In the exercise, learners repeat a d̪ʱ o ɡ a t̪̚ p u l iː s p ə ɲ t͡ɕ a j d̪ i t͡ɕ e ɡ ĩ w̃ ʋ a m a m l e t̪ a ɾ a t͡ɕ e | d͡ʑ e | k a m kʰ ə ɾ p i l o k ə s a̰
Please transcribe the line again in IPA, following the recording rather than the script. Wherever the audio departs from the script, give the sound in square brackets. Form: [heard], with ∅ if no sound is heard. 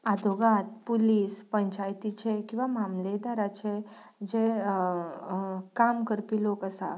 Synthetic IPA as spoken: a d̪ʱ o ɡ a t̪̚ p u l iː s p ə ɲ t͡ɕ a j [t̪] i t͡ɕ e [k] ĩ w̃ ʋ a m a m l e [d̪] a ɾ a t͡ɕ e | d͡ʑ e | k a m [k] ə ɾ p i l o k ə s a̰